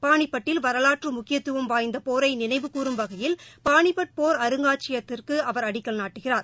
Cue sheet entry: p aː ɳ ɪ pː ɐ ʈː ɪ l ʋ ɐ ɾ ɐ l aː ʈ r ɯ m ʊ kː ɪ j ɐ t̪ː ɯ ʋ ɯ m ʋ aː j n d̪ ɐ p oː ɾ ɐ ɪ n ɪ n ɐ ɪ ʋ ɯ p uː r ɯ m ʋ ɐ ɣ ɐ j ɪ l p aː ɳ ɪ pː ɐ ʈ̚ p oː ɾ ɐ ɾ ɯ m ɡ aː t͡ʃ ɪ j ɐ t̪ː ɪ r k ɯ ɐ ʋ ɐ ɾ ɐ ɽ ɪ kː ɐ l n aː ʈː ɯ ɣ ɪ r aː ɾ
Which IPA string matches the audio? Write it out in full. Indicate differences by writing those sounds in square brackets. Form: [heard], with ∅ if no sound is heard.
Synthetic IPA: p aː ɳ ɪ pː ɐ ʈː ɪ l ʋ ɐ ɾ ɐ l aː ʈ r ɯ m ʊ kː ɪ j ɐ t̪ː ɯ ʋ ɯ m ʋ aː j n d̪ ɐ p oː ɾ ɐ ɪ n ɪ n ɐ ɪ ʋ ɯ [k] uː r ɯ m ʋ ɐ ɣ ɐ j ɪ l p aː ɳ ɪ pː ɐ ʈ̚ p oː ɾ ɐ ɾ ɯ [ŋ] ɡ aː t͡ʃ ɪ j ɐ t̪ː ɪ r k ɯ ɐ ʋ ɐ ɾ ɐ ɽ ɪ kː ɐ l n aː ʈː ɯ ɣ ɪ r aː ɾ